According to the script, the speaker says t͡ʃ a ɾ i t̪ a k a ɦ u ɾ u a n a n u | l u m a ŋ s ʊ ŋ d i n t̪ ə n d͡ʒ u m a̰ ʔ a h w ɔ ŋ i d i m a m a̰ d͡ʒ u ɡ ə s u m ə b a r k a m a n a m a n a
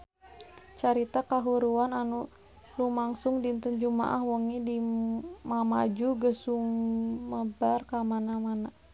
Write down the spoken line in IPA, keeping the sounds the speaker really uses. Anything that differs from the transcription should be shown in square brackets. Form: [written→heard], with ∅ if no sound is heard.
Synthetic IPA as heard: t͡ʃ a ɾ i t̪ a k a ɦ u ɾ u a n a n u | l u m a ŋ s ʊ ŋ d i n t̪ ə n d͡ʒ u m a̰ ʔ a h w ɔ ŋ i d i m a m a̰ d͡ʒ u ɡ ə s u m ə b a r k a m a n a m a n a